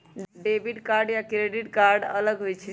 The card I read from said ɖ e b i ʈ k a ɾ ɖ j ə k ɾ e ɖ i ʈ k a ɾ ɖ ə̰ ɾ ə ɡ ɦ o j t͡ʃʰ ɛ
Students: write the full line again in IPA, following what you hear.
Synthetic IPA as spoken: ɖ e b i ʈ k a ɾ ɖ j a k ɾ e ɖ i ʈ k a ɾ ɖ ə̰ l ə ɡ ɦ o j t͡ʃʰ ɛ